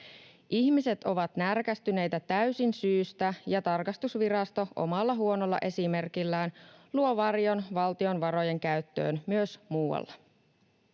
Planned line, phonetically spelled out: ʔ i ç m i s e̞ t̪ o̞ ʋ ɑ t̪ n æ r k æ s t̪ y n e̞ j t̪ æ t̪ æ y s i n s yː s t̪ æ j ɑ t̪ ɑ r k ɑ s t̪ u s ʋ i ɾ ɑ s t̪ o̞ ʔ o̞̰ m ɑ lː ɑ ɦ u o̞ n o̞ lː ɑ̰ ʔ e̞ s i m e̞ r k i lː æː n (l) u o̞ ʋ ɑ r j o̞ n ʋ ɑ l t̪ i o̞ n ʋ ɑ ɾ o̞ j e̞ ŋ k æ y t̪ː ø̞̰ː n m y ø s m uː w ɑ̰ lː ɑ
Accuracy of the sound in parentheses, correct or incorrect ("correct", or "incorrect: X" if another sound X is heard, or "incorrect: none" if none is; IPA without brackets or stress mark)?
correct